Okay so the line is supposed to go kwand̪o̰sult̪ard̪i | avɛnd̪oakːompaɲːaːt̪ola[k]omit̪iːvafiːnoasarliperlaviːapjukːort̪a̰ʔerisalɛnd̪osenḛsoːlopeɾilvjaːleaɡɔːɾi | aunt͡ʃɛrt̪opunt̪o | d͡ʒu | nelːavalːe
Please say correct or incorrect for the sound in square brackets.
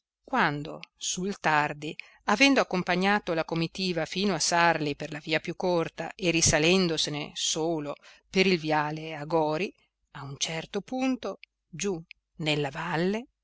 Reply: correct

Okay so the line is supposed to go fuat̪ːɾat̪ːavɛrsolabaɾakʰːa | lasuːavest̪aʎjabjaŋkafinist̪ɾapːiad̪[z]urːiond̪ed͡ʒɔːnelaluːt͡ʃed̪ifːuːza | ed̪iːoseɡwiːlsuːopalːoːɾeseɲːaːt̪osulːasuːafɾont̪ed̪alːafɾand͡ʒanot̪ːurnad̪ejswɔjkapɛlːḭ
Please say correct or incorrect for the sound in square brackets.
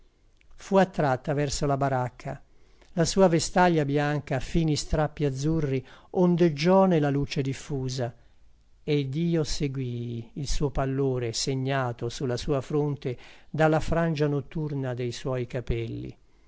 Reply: incorrect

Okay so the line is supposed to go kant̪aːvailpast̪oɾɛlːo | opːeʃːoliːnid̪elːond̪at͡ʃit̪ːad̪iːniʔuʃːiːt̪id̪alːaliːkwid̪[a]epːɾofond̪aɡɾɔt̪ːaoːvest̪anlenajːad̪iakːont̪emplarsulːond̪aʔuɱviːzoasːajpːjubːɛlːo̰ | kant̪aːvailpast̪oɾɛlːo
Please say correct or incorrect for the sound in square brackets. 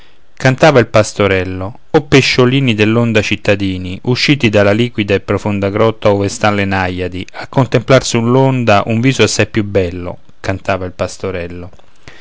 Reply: correct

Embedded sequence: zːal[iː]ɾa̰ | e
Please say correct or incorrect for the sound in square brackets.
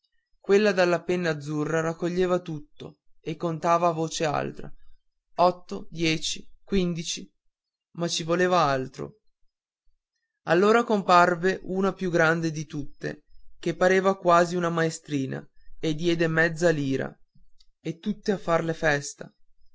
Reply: correct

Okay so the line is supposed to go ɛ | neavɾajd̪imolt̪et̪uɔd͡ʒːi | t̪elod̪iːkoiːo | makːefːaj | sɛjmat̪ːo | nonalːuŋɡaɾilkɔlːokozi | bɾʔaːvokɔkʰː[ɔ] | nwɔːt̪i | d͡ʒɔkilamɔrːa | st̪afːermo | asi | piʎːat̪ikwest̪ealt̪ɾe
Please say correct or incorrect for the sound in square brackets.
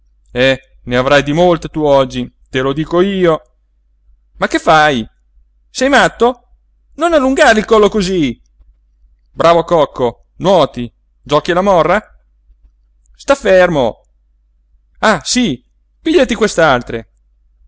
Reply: incorrect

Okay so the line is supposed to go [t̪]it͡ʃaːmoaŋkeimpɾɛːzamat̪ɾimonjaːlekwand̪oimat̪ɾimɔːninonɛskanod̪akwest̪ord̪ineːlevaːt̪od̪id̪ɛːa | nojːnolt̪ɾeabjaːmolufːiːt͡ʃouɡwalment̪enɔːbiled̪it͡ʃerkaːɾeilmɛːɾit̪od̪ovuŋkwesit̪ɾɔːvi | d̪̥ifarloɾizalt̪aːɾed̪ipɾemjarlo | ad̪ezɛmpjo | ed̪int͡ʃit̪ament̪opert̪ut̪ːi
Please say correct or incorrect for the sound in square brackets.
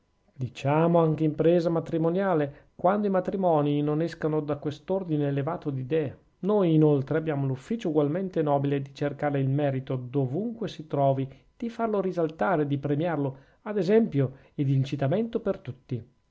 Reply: incorrect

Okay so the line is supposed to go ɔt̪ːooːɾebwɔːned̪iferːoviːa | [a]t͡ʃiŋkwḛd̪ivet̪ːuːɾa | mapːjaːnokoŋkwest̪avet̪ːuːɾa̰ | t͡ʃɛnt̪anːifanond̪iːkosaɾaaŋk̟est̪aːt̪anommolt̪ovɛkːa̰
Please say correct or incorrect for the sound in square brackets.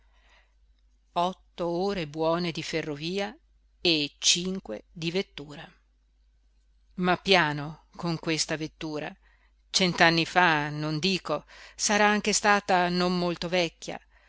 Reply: incorrect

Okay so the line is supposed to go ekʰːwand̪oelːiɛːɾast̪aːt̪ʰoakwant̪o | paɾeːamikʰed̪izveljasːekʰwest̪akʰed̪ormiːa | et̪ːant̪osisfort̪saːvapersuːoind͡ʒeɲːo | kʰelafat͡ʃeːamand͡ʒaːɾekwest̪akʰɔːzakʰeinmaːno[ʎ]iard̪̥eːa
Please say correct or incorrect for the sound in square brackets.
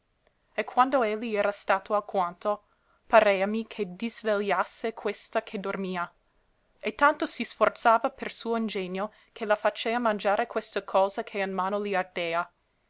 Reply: incorrect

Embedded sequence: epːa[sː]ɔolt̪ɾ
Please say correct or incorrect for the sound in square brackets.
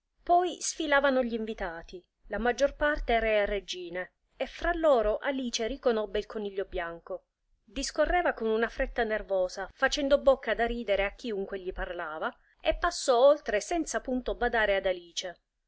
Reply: correct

